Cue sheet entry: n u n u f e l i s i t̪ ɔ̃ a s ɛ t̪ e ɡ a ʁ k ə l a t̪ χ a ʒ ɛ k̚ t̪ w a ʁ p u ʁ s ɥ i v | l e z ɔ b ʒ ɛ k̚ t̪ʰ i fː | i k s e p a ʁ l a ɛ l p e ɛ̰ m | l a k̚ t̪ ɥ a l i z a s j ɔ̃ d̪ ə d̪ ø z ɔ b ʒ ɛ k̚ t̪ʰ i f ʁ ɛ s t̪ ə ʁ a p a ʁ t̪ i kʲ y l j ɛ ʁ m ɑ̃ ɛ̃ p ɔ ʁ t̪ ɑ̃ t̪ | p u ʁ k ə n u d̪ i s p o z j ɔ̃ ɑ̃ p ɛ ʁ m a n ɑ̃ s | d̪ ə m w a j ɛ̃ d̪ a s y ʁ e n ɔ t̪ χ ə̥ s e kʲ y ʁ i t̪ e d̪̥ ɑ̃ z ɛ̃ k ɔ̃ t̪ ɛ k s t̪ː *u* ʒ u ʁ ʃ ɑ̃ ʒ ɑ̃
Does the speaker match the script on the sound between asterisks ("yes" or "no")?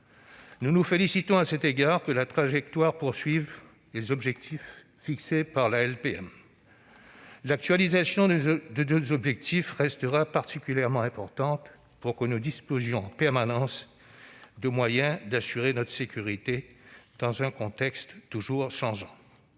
yes